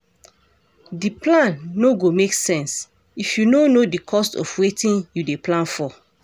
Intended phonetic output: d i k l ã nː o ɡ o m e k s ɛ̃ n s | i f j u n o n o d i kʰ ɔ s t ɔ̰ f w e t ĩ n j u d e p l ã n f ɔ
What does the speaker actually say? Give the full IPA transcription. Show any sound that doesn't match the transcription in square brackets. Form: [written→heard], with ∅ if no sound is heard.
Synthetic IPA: d i [k→p] l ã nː o ɡ o m e k s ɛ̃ n s | i f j u n o n o d i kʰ ɔ s t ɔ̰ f w e t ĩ n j u d e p l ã n f ɔ